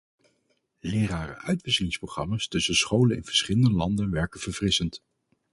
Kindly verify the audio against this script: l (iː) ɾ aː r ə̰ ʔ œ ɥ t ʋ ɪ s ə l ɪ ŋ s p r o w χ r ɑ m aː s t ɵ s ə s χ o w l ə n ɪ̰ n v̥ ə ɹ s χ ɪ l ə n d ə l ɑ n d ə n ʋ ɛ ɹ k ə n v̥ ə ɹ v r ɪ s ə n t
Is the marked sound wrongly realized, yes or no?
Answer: yes